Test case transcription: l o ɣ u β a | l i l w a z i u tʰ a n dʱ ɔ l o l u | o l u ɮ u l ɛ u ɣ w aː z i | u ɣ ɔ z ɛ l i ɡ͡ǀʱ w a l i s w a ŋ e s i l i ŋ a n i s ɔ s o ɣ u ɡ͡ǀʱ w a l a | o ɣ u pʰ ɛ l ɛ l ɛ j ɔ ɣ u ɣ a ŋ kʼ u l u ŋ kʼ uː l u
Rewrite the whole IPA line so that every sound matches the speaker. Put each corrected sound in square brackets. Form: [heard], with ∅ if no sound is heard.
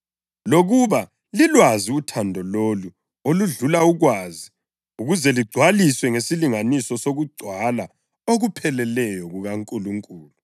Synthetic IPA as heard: l o ɣ u β a | l i l w a z i u tʰ a n dʱ ɔ l o l u | o l u ɮ u l [a] u ɣ w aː z i | u ɣ [u] z ɛ l i ɡ͡ǀʱ w a l i s w [ɛ] ŋ e s i l i ŋ a n i s ɔ s o ɣ u ɡ͡ǀʱ w a l a | o ɣ u pʰ ɛ l ɛ l ɛ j ɔ ɣ u ɣ a ŋ kʼ u l u ŋ kʼ uː l u